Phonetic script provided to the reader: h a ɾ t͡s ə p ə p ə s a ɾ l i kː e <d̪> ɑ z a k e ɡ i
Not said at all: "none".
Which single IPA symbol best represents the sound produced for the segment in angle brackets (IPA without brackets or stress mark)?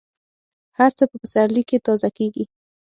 t̪